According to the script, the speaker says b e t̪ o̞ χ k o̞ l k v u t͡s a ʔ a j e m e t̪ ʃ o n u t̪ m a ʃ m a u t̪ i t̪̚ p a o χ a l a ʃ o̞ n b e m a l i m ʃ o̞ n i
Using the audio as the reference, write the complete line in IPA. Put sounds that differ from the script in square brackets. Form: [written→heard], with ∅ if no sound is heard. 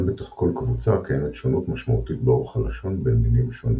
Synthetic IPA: b e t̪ o̞ χ k o̞ l k v u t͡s a [ʔ→k] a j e m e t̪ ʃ o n u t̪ m a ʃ m a u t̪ i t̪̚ [p→b] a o χ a l a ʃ o̞ n b e m [a→i] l i m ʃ o̞ n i

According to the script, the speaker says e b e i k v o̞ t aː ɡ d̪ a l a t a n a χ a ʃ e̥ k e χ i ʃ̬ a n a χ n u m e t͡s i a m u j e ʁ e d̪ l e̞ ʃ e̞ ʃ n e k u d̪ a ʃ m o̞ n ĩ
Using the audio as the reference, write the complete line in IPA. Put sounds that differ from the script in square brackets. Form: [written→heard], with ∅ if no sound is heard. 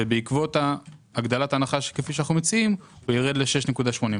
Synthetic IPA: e b e i k v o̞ t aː ɡ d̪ a l a t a n a χ a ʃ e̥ k e [χ→f] i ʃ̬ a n a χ n u m e t͡s i [a→i] m u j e ʁ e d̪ l e̞ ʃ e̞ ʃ n e k u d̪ a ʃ m o̞ n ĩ

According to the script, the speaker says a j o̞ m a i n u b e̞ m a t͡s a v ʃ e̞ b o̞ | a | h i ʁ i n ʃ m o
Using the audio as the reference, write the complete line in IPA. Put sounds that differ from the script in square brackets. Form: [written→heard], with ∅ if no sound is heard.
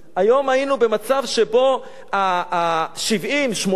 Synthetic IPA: a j o̞ m a i n u b e̞ m a t͡s a v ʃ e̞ b o̞ | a | [h→ʃ] i [ʁ→v] i [n→m] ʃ m o

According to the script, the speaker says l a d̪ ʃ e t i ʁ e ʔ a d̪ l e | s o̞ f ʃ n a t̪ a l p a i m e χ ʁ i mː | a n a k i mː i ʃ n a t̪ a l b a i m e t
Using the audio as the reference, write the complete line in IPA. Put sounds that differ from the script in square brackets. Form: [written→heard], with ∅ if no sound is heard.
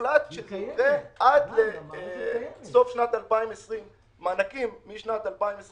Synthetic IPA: l a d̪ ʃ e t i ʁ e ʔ a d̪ l e | s o̞ f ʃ n a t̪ a l p a i m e [χ→s] ʁ i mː | a n a k i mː i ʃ n a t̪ a l [b→p] a i m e [t→s]

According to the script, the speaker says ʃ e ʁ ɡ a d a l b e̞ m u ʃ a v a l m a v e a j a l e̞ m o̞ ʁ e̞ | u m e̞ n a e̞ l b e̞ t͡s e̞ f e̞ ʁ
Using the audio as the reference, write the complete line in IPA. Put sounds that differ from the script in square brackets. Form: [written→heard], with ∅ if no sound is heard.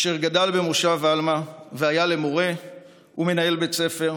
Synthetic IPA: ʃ e ʁ ɡ a d a l b e̞ m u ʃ a v a l m a v e a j a l e̞ m o̞ ʁ e̞ | u m e̞ n a e̞ l b e̞ t͡s e̞ f e̞ ʁ

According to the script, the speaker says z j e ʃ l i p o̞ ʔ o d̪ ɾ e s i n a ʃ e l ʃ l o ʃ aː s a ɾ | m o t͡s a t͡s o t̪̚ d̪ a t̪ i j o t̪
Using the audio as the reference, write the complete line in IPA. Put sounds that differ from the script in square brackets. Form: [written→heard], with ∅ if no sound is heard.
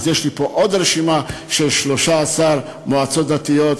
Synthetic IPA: z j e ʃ l i p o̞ ʔ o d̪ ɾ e [s→ʃ] i [n→m] a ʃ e l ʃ l o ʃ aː s a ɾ | m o [t͡s→∅] a t͡s o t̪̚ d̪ a t̪ i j o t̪

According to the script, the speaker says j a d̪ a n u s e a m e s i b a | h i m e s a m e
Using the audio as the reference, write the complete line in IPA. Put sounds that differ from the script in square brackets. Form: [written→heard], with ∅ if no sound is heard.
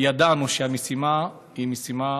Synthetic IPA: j a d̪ a n u [s→ʃ] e a m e s i [b→m] a | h i m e s [a→i] m [e→a]

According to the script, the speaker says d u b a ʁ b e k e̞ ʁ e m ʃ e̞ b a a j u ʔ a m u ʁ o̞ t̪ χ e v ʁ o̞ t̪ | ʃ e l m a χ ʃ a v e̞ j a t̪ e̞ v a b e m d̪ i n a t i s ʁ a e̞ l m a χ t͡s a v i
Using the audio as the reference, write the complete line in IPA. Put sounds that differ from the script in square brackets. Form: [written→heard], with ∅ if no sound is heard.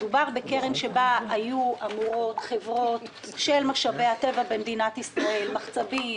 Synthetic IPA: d u b a ʁ b e k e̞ ʁ e m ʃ e̞ b a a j u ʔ a m u ʁ o̞ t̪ χ e v ʁ o̞ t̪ | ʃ e l m a χ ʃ a v e̞ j a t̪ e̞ v a b e m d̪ i n a t i s ʁ a e̞ l m a χ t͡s a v i

